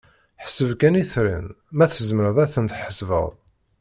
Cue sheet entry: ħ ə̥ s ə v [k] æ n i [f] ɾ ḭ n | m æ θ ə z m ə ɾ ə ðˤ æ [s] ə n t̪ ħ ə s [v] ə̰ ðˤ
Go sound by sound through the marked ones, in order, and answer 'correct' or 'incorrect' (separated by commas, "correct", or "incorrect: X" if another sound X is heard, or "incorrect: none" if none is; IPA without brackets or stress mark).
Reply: correct, incorrect: θ, incorrect: θ, correct